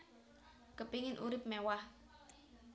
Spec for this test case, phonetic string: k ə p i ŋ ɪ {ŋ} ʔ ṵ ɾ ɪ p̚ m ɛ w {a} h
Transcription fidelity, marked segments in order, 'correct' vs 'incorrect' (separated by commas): incorrect, correct